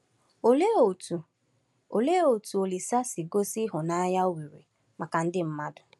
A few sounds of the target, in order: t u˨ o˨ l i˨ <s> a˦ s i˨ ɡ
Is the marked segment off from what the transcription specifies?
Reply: no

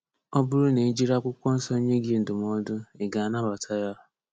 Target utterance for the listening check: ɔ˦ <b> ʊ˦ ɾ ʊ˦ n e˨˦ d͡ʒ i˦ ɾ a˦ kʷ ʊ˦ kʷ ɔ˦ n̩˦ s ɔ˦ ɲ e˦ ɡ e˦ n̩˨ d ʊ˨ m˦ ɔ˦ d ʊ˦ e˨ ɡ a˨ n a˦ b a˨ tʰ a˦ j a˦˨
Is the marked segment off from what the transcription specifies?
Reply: no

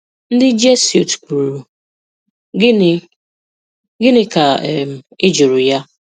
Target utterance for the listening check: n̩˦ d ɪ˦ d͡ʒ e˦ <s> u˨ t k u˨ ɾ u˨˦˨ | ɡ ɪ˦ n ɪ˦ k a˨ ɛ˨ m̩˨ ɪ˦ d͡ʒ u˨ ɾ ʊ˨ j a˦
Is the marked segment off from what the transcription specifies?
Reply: no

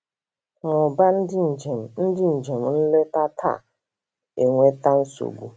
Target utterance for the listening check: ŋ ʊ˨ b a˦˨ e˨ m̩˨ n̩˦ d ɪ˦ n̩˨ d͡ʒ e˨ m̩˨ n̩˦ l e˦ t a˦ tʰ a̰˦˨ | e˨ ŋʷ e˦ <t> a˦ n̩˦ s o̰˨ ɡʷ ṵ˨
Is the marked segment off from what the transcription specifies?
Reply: no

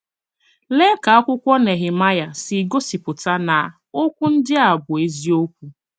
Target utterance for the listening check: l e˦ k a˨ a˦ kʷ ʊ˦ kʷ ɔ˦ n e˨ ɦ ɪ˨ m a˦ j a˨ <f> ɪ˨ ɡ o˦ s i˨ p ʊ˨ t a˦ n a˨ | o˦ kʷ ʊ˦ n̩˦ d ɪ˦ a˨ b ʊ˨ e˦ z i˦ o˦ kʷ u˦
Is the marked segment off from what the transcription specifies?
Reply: yes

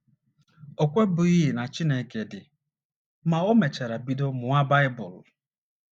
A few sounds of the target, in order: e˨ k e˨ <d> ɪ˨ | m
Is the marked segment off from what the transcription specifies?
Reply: no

